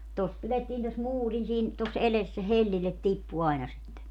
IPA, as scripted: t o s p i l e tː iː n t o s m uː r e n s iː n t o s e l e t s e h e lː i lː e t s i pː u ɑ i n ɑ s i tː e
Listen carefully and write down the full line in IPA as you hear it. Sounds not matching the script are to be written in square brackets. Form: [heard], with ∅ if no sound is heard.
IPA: t o s p i l e tː iː n t o s m uː r [i] n s iː n t o s e l e [s] s e h e lː i lː e t [t] i pː u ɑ i n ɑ s i tː e